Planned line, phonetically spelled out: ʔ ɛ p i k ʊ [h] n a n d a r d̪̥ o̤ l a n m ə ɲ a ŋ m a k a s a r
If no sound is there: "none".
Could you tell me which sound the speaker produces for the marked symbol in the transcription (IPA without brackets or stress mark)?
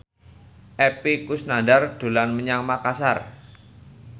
s